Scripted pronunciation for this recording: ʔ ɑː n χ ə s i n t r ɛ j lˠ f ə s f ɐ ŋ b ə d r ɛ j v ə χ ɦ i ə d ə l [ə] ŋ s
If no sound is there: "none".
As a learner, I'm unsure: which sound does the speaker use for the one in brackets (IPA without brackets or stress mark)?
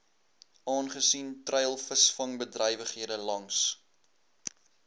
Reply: ɐ